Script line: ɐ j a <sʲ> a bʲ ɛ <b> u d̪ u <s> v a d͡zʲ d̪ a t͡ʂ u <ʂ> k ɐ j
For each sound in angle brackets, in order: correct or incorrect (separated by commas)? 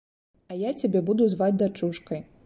incorrect, correct, incorrect, correct